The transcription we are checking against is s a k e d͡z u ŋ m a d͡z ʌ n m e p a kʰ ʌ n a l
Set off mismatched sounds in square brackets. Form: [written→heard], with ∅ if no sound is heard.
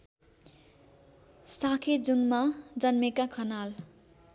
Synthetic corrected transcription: s a [k→kʰ] e d͡z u ŋ m a d͡z ʌ n m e [p→k] a kʰ ʌ n a l